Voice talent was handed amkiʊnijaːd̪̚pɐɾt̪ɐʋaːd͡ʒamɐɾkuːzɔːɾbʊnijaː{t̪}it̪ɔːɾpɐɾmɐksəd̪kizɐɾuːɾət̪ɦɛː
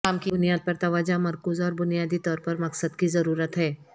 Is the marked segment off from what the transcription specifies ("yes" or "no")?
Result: yes